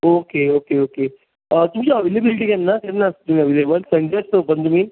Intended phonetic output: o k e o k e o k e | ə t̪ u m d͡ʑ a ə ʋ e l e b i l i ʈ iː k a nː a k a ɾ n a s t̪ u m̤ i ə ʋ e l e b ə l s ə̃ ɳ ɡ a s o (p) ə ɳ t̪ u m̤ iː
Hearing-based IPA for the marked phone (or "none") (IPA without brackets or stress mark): p